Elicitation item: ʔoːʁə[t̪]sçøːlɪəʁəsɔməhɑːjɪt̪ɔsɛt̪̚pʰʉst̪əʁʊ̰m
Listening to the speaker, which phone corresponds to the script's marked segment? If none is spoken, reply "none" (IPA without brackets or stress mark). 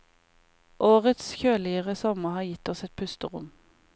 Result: t̪